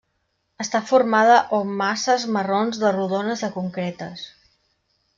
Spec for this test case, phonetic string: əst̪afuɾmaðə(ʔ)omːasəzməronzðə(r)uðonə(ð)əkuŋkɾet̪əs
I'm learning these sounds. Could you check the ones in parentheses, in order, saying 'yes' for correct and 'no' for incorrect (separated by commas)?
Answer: yes, yes, no